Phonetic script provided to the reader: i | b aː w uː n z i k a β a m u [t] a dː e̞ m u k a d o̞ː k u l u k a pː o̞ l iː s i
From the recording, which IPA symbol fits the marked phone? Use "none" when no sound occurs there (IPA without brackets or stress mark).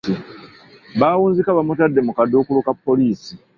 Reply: t